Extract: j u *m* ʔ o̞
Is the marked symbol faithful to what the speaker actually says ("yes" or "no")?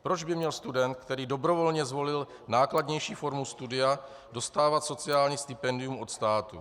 yes